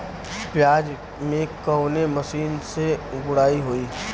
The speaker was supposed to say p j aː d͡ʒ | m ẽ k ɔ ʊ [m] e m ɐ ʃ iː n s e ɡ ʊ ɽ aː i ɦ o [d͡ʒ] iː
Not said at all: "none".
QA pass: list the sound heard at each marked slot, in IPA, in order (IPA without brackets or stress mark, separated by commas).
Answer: n, none